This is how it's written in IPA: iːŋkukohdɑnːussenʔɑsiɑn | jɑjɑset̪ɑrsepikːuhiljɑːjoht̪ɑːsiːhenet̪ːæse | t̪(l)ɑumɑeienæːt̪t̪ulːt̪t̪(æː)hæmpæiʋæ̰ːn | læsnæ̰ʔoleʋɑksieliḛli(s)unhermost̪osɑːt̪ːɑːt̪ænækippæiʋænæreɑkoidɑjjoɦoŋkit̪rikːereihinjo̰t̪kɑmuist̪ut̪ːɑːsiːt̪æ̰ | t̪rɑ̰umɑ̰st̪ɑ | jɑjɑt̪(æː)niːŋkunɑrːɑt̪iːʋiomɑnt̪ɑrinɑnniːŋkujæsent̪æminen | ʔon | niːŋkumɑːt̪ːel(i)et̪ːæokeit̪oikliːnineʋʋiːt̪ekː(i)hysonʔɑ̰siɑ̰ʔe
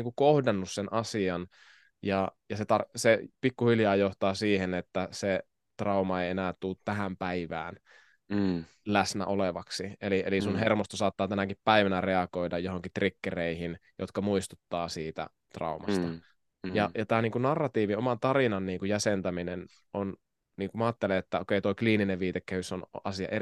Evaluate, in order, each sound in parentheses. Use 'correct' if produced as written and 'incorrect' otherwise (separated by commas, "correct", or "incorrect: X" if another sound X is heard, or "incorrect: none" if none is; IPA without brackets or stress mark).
incorrect: r, incorrect: æ, correct, correct, incorrect: e, incorrect: æ